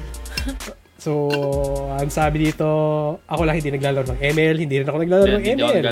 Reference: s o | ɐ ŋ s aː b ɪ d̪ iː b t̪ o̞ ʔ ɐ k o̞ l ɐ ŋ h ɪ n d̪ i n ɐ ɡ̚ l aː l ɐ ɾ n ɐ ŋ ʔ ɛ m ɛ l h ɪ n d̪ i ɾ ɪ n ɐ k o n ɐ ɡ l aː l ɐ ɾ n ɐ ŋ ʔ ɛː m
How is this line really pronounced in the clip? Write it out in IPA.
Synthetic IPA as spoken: s o | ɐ ŋ s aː b ɪ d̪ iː t̪ o̞ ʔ ɐ k o̞ l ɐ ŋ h ɪ n d̪ i n ɐ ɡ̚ l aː l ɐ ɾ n ɐ ŋ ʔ ɛ m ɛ l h ɪ n d̪ i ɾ ɪ n ɐ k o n ɐ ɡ l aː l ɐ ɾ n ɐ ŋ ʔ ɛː m